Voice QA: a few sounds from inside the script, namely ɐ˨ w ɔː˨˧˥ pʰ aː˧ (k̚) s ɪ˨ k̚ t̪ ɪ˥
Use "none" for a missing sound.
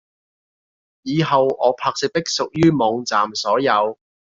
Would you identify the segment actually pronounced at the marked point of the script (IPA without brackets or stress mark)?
k̚